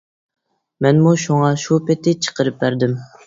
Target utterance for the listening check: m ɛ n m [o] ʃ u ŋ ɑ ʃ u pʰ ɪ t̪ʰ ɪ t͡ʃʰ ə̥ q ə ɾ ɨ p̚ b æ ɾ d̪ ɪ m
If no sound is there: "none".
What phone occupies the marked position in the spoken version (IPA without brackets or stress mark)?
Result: u